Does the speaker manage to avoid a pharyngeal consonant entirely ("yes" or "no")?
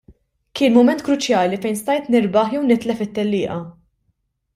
no